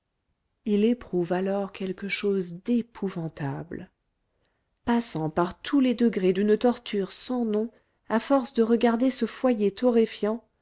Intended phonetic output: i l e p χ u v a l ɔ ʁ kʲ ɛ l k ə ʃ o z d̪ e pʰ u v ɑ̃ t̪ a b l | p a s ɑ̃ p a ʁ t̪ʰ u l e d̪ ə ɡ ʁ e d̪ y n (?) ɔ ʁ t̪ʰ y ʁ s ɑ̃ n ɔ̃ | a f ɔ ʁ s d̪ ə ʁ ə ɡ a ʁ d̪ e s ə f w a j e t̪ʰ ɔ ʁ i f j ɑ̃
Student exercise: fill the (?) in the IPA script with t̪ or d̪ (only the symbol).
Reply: t̪